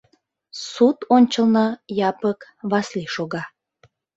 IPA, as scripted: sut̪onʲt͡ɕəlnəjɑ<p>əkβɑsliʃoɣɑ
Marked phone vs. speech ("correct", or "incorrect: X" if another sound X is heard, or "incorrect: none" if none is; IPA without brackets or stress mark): correct